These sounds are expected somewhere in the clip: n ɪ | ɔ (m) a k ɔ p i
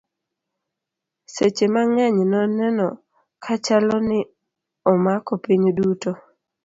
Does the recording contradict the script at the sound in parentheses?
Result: no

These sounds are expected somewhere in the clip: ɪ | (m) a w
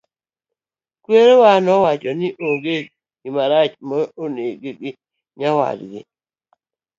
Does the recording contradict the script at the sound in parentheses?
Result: yes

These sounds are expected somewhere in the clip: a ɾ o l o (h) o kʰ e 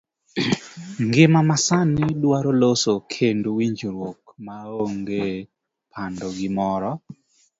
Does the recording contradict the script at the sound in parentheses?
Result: yes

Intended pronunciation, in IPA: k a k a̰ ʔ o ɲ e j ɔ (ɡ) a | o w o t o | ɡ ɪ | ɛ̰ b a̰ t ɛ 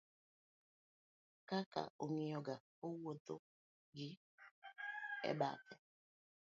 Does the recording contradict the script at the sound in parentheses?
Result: no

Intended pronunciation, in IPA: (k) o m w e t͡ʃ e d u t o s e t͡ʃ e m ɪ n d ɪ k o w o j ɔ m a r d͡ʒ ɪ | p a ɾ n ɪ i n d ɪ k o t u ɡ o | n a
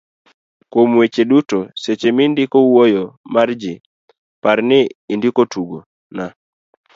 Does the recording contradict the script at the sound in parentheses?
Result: no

